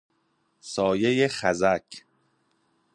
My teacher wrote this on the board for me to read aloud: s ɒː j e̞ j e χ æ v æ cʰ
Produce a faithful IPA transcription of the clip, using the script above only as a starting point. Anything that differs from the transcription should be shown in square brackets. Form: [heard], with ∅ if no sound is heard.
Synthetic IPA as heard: s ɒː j e̞ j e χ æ [z] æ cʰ